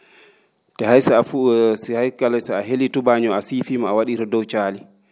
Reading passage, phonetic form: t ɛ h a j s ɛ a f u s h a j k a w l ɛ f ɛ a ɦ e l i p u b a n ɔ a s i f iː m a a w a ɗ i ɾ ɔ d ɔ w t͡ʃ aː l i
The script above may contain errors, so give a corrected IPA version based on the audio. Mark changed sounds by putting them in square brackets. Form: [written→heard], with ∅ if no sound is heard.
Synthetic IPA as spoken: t ɛ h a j s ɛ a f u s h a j k a [w→∅] l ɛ [f→s] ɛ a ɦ e l i [p→t] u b a [n→ɲ] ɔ a s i f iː m a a w a ɗ i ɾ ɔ d ɔ w t͡ʃ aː l i